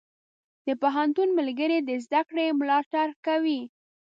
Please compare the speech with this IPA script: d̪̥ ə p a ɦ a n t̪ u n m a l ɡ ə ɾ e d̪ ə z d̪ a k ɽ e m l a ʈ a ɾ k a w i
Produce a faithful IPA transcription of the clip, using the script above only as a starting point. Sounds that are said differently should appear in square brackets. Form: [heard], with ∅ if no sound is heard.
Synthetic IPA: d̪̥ ə p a ɦ a n t̪ u n m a l ɡ ə ɾ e d̪ ə z d̪ a k ɽ e m l [ɑ] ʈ a ɾ k a w i